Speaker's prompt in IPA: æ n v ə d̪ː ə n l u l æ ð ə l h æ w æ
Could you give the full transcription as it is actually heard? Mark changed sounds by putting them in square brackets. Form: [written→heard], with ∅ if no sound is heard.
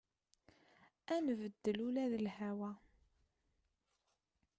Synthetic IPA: æ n v ə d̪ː ə [n→∅] l u l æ ð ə l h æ w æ